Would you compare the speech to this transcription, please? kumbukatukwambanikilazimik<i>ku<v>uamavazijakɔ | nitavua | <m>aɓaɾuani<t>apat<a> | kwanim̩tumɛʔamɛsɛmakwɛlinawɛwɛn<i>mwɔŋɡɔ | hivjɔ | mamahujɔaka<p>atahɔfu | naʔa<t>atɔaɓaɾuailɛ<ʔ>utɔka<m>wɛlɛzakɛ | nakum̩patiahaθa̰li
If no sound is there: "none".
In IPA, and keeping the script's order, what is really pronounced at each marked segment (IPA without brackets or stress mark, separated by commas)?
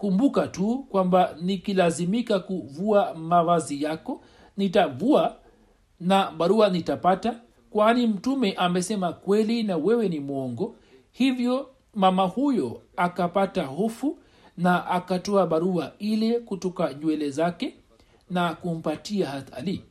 a, v, n, t, a, i, p, k, k, ɲ